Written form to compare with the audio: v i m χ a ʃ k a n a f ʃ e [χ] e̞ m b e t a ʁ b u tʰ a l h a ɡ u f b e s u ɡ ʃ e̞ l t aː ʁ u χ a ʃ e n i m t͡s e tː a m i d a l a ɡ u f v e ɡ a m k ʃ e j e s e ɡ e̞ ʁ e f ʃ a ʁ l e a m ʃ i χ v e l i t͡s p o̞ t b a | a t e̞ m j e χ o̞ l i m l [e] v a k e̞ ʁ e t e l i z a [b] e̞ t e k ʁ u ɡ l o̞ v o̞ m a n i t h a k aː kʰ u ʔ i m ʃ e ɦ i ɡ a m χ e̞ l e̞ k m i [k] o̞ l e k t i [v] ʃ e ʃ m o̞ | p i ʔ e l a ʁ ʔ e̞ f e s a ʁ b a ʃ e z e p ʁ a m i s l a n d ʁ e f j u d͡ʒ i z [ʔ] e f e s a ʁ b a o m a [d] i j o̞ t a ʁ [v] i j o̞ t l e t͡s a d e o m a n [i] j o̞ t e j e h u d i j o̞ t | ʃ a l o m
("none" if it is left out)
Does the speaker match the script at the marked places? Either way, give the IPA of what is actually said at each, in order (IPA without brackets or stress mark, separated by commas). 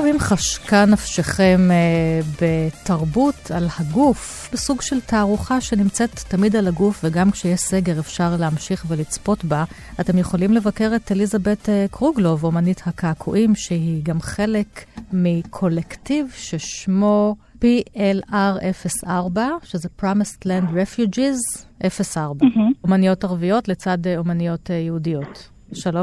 χ, e, b, kʰ, v, ʔ, n, v, i